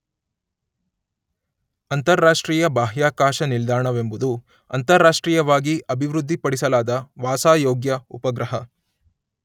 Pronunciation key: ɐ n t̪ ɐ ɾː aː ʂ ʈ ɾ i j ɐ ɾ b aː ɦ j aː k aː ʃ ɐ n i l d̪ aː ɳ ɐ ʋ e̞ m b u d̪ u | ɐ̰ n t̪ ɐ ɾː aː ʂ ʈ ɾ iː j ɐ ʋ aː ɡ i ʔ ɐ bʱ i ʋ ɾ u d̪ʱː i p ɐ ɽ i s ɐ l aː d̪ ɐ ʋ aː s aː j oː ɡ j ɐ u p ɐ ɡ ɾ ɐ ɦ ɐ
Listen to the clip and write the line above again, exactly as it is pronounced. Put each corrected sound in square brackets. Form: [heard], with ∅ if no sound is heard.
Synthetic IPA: ɐ n t̪ ɐ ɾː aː ʂ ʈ ɾ [iː] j ɐ [∅] b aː ɦ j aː k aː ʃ ɐ n i l d̪ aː ɳ ɐ ʋ e̞ m b u d̪ u | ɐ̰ n t̪ ɐ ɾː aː ʂ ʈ ɾ iː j ɐ ʋ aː ɡ i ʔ ɐ bʱ i ʋ ɾ u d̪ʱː i p ɐ ɽ i s ɐ l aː d̪ ɐ ʋ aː s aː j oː ɡ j ɐ u p ɐ ɡ ɾ ɐ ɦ ɐ